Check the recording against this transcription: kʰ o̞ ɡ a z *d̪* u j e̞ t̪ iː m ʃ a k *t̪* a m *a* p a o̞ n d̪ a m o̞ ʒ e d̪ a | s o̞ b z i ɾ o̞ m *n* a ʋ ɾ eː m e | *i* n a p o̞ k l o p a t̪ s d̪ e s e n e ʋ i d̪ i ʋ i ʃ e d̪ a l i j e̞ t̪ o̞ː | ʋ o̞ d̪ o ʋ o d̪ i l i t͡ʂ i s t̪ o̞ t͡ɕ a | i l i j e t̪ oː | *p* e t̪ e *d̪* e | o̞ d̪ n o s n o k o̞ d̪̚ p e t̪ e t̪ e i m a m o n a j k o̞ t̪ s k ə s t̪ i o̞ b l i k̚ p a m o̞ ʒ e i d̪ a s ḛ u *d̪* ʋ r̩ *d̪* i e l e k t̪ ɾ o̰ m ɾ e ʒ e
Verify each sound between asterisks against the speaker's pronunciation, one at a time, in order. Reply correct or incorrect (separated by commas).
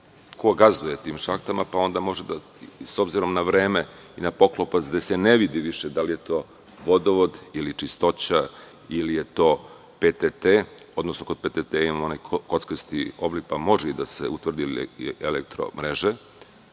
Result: correct, correct, correct, correct, correct, correct, incorrect, incorrect, correct